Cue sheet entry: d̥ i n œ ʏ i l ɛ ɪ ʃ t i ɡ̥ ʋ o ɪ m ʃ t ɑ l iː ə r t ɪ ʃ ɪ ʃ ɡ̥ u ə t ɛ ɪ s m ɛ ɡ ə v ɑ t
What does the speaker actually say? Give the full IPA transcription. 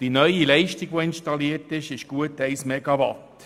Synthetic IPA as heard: d̥ i n œ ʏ i l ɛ ɪ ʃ t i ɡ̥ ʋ o ɪ n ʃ t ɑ l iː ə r t ɪ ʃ ɪ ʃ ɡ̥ u ə t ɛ ɪ s m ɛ ɡ ɑ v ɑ t